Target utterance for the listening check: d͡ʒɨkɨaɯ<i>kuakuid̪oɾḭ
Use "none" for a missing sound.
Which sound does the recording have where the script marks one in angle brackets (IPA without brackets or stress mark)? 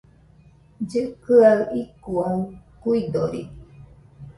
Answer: i